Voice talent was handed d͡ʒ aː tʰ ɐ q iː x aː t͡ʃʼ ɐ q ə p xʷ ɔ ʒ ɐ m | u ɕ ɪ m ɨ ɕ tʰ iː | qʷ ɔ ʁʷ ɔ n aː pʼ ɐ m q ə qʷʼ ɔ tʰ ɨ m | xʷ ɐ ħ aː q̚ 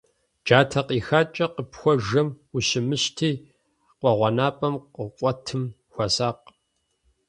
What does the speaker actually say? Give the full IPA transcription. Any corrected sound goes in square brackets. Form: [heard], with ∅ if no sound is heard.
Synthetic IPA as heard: d͡ʒ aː tʰ ɐ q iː x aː t͡ʃʼ ɐ q ə p xʷ ɔ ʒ ɐ m | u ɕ ɪ m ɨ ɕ tʰ iː | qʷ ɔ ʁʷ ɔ n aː pʼ ɐ m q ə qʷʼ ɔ tʰ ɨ m | xʷ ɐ [s] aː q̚